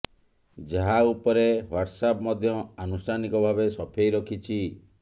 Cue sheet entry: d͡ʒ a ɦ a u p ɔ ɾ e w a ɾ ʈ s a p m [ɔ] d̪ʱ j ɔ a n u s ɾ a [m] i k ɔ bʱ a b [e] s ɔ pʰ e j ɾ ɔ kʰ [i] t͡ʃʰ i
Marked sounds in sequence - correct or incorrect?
correct, incorrect, correct, correct

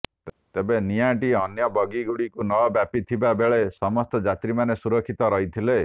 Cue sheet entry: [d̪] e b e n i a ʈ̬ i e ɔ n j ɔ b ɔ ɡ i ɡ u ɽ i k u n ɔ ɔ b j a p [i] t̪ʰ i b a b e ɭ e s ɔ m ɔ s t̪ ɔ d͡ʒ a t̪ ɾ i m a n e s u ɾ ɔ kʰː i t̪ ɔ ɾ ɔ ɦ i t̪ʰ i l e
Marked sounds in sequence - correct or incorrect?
incorrect, correct

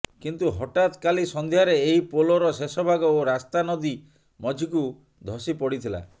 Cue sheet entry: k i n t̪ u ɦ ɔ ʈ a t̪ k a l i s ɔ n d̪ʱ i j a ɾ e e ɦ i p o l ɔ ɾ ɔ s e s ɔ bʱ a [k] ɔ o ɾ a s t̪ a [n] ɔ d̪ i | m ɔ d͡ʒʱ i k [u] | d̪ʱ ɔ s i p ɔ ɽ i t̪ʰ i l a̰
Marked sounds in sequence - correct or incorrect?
incorrect, correct, correct

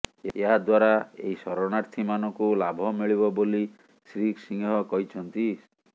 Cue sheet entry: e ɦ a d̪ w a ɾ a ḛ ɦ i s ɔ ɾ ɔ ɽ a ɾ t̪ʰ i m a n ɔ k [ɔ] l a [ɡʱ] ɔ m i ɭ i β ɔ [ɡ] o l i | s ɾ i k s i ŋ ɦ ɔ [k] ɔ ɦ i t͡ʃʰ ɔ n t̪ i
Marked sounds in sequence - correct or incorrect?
incorrect, incorrect, incorrect, correct

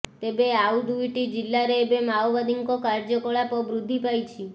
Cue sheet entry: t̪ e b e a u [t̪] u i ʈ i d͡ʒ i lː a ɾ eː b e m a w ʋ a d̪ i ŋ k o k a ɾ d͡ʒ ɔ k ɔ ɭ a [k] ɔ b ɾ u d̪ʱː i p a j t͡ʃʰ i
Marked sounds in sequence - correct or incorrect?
incorrect, incorrect

